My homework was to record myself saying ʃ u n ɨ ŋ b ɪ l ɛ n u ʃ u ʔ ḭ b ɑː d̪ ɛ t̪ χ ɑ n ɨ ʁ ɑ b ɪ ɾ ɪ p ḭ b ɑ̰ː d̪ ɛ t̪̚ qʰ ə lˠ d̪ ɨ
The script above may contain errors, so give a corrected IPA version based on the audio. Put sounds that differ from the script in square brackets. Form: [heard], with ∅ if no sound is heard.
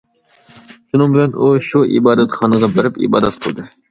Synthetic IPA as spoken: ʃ u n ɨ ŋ b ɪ l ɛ n u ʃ u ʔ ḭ b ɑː d̪ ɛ t̪ χ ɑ n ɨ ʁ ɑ b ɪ ɾ ɪ p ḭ b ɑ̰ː d̪ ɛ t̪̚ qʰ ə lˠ d̪ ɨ

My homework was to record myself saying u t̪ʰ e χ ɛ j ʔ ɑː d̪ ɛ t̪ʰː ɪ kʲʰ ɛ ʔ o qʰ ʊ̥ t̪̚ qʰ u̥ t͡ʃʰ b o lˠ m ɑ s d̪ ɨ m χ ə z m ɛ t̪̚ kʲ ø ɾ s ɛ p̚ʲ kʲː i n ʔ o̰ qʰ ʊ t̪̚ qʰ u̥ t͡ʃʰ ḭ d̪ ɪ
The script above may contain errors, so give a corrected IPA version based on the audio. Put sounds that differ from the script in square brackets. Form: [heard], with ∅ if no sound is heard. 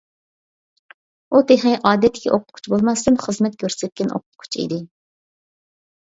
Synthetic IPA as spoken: u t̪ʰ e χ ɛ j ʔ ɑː d̪ ɛ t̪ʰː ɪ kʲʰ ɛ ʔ o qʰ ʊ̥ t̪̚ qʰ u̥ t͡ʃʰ b o lˠ m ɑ s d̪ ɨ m χ ə z m ɛ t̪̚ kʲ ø ɾ s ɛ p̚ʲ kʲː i n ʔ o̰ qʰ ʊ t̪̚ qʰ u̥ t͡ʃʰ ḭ d̪ ɪ

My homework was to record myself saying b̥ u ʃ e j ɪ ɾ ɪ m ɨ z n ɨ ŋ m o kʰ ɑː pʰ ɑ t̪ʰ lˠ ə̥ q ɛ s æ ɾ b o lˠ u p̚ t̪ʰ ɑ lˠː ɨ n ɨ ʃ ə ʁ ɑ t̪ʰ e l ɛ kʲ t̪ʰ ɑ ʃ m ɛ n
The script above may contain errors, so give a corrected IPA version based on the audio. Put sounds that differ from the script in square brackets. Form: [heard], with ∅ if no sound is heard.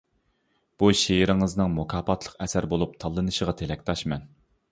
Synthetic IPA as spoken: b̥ u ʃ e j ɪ ɾ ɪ [ŋ] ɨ z n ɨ ŋ m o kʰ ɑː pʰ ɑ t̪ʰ lˠ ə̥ q ɛ s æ ɾ b o lˠ u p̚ t̪ʰ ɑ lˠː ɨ n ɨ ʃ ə ʁ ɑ t̪ʰ e l ɛ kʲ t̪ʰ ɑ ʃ m ɛ n

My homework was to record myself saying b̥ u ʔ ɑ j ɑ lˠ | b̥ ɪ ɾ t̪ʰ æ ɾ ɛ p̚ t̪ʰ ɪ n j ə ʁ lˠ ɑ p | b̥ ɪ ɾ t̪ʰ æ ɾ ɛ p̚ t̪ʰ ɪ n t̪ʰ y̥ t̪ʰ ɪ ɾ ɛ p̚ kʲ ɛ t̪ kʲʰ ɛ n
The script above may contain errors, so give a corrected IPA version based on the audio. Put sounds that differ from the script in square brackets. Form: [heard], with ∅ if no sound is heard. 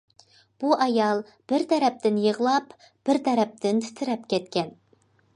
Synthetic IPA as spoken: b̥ u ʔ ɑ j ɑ lˠ | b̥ ɪ ɾ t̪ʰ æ ɾ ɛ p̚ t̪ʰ ɪ n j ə ʁ lˠ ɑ p | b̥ ɪ ɾ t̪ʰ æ ɾ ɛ p̚ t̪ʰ ɪ n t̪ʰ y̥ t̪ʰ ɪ ɾ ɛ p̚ kʲ ɛ t̪ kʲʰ ɛ n

